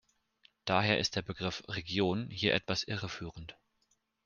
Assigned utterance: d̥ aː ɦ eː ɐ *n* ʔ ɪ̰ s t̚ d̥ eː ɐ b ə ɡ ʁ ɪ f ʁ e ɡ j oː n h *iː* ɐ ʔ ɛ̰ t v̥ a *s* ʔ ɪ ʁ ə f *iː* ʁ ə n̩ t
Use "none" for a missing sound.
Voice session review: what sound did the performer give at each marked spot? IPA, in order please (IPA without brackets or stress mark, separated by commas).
none, iː, s, yː